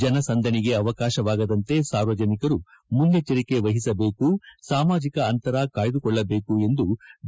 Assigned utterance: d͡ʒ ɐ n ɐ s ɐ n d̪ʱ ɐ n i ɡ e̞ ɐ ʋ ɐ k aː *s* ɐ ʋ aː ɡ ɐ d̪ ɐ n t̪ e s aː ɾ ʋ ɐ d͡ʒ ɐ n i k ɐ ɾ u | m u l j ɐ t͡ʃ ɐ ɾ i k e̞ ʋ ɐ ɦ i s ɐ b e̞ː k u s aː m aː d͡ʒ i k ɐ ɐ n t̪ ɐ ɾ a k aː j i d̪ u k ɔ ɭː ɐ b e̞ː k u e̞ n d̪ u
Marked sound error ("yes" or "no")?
yes